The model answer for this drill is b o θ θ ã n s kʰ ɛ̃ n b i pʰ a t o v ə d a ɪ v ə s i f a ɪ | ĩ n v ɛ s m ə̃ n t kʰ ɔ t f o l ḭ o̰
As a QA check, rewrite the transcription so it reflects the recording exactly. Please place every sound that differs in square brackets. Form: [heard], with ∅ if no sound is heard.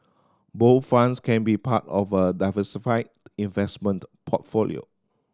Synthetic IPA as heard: b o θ [f] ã n s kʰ ɛ̃ n b i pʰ a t [ɔ] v ə d a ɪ v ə s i f a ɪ | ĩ n v ɛ s m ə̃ n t [pʰ] ɔ t f o l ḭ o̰